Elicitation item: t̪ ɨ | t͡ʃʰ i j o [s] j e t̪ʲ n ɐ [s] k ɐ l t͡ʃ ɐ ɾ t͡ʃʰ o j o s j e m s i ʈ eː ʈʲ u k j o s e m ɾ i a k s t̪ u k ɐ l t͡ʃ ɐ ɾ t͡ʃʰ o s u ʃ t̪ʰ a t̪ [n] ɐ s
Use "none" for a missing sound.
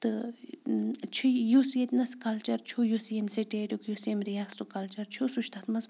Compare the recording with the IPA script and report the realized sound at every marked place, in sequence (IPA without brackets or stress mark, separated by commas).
s, s, m